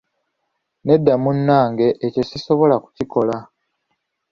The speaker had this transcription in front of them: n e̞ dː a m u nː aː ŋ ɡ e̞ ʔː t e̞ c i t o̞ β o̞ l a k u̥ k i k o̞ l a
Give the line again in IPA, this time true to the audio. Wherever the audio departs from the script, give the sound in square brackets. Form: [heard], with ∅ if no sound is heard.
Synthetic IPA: n e̞ dː a m u nː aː ŋ ɡ e̞ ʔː [c] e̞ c i [s] o̞ β o̞ l a k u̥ [c] i k o̞ l a